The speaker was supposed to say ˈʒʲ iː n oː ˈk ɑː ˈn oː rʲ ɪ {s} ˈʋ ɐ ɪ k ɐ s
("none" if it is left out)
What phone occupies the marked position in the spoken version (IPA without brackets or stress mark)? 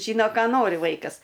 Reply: none